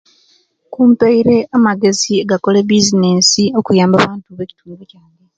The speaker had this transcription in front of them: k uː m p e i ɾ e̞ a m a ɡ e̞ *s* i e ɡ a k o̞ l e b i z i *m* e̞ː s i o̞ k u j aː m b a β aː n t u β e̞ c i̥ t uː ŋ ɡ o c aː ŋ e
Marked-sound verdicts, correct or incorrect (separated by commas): incorrect, incorrect